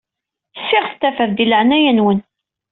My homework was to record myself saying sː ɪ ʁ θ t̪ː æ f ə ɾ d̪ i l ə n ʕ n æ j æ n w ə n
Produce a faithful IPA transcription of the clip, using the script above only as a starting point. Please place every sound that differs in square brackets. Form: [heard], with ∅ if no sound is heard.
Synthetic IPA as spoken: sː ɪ ʁ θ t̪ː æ f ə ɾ d̪ i l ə [∅] ʕ n æ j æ n w ə n